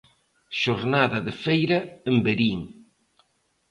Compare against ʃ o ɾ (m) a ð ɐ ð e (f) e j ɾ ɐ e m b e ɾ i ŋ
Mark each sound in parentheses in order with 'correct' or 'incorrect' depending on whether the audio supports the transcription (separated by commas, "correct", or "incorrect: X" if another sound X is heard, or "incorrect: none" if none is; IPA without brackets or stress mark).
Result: incorrect: n, correct